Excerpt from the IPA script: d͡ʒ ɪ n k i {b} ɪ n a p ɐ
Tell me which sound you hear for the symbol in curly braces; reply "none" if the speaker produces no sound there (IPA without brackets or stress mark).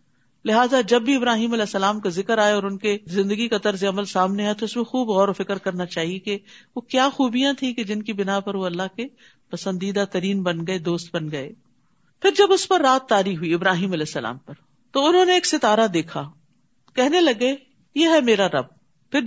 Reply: b